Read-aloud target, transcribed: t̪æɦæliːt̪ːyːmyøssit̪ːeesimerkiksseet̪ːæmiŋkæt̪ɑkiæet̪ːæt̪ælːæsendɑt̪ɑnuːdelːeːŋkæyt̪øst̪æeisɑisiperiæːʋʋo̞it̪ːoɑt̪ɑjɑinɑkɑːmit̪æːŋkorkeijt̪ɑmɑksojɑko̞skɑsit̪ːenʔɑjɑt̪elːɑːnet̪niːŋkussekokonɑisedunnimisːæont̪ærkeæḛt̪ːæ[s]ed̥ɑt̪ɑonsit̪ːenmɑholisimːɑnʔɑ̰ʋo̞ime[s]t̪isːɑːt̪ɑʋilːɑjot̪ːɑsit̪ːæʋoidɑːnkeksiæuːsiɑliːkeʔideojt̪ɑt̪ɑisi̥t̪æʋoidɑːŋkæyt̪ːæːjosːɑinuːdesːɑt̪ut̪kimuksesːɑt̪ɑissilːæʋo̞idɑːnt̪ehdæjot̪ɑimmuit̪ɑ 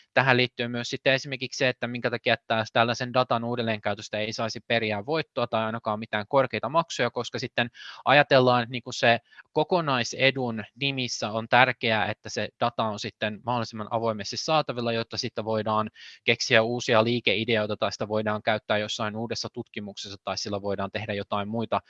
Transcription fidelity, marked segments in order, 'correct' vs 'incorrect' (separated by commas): correct, correct